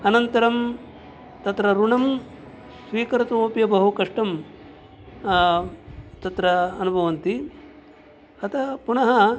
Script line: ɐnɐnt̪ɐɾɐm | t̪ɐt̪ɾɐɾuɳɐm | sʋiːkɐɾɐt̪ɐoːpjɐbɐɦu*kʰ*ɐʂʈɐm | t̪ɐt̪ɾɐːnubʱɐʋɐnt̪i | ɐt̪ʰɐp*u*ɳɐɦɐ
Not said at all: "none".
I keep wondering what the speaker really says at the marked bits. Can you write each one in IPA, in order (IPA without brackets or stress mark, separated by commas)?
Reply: k, u